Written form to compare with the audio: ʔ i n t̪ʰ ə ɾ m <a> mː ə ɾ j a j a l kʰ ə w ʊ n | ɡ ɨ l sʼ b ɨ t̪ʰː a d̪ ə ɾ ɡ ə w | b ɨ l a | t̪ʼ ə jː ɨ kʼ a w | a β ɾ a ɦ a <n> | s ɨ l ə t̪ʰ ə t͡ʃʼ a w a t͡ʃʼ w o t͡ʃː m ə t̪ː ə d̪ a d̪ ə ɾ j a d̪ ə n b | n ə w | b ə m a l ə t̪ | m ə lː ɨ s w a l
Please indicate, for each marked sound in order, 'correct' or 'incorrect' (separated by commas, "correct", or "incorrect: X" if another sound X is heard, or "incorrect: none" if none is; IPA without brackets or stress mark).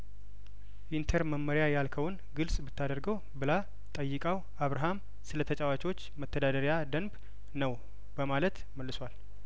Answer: incorrect: ə, incorrect: m